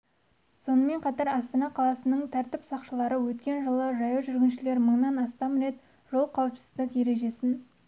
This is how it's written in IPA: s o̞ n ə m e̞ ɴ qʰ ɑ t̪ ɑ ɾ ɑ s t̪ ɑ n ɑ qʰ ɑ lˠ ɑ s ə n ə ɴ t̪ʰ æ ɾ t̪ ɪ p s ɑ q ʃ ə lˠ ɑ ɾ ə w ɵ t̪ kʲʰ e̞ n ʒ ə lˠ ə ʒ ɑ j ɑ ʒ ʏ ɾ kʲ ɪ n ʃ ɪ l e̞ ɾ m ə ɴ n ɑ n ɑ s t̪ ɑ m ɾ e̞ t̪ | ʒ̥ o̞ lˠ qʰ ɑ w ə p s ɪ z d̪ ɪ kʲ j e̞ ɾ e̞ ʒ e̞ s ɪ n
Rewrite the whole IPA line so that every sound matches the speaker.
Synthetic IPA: s o̞ n ə m e̞ ɴ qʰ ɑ t̪ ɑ ɾ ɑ s t̪ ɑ n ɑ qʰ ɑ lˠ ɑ s ə n ə ɴ t̪ʰ æ ɾ t̪ ɪ p s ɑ q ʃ ə lˠ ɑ ɾ ə w ɵ t̪ kʲ e̞ n ʒ ə lˠ ə ʒ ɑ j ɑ ʒ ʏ ɾ ɡʲ ɪ n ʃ ɪ l e̞ ɾ m ə ɴ n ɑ n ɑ s t̪ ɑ m ɾ e̞ t̪ | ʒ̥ o̞ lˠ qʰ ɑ w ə p s ɪ z d̪ ɪ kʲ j e̞ ɾ e̞ ʒ e̞ s ɪ n